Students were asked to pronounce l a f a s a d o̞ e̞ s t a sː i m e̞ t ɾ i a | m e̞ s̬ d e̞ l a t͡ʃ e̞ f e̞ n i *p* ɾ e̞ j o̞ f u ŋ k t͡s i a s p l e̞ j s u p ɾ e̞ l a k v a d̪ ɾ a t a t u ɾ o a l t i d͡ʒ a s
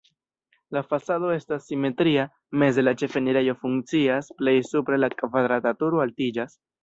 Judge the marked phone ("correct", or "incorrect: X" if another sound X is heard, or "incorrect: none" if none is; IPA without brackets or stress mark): incorrect: none